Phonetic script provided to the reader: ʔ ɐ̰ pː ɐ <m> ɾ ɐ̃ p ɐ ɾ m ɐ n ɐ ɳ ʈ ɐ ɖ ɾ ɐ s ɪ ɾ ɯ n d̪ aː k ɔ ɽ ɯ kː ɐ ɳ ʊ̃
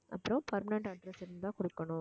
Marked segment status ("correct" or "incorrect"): incorrect